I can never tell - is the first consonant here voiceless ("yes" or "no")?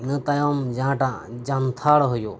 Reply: no